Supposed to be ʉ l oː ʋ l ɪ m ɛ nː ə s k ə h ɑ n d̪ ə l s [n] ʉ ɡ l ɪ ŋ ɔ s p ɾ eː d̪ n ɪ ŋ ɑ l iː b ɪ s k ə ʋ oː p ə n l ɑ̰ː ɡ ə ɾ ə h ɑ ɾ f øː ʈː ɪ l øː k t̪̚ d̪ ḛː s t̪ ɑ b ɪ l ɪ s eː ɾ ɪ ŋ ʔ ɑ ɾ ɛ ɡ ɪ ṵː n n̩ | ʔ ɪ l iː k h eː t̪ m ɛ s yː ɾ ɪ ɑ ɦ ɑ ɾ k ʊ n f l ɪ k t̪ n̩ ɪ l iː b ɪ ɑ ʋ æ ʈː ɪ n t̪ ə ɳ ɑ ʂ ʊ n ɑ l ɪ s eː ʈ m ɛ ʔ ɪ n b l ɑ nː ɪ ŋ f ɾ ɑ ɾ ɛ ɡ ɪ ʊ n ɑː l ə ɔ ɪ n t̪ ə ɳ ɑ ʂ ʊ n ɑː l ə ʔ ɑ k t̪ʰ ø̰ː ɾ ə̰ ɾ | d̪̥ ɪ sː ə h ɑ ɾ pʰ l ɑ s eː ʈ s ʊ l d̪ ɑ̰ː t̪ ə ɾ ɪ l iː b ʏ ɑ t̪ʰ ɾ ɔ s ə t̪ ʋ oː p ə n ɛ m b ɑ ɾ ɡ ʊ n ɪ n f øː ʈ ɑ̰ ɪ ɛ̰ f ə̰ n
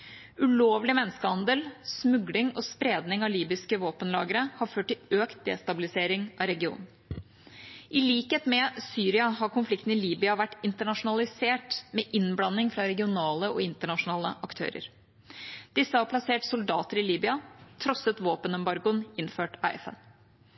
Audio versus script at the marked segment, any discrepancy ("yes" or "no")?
yes